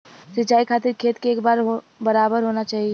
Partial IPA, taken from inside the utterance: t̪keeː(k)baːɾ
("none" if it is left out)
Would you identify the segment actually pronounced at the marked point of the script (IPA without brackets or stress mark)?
k